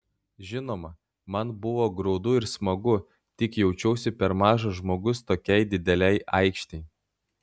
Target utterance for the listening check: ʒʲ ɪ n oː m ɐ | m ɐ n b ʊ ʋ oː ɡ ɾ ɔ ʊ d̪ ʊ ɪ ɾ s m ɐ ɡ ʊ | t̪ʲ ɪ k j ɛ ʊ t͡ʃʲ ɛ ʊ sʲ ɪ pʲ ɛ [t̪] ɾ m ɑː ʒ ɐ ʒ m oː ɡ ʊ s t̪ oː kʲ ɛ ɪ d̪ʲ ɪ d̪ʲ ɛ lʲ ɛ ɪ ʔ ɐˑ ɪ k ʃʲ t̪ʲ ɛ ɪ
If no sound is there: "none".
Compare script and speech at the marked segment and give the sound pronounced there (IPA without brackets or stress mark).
none